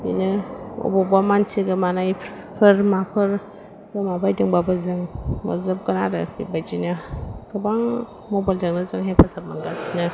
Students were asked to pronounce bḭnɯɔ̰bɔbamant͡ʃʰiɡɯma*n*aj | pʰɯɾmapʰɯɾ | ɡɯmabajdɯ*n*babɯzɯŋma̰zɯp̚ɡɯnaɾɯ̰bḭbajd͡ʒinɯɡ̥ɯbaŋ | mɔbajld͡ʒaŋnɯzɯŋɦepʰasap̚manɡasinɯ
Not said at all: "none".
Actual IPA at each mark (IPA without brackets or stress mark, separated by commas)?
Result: n, ŋ